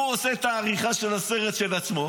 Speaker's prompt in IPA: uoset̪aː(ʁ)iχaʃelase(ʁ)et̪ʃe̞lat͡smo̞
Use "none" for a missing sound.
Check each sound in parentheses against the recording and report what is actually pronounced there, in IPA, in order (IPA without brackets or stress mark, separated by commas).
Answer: ʁ, ʁ